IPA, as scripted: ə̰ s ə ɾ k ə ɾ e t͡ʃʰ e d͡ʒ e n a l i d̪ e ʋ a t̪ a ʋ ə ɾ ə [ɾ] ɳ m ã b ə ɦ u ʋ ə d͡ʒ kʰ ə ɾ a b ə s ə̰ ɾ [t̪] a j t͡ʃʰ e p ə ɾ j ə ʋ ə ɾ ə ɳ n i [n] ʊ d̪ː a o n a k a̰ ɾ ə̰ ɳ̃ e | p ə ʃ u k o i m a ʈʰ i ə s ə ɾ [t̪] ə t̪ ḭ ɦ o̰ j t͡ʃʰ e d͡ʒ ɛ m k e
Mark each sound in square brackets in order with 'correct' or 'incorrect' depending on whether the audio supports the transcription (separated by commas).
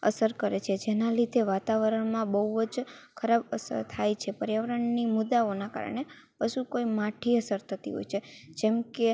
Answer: incorrect, incorrect, incorrect, incorrect